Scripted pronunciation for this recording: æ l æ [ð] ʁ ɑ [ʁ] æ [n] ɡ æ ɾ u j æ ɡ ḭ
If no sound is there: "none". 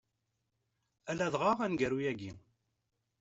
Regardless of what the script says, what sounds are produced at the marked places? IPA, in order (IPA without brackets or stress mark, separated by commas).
ð, ʁ, n